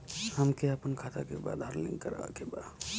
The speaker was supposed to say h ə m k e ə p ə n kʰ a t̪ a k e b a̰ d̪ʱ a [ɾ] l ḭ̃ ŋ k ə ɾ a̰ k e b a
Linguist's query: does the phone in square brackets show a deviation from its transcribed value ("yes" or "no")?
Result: no